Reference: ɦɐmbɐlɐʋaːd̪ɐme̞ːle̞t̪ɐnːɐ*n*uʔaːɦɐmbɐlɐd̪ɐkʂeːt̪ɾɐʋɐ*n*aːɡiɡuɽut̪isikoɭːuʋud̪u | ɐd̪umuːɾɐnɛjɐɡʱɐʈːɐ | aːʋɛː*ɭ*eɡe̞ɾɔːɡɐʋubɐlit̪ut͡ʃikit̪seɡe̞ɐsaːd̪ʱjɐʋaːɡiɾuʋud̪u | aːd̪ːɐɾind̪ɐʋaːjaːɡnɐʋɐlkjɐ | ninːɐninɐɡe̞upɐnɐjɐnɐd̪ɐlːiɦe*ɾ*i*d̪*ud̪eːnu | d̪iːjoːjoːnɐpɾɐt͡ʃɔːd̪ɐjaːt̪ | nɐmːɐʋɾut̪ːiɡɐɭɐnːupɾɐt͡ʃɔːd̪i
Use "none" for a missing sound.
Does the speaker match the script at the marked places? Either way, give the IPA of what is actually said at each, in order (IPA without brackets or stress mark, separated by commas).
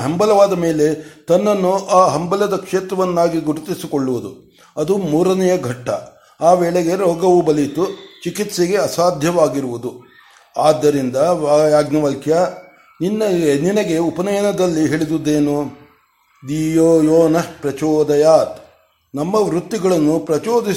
nː, nː, ɭ, ɭ, d̪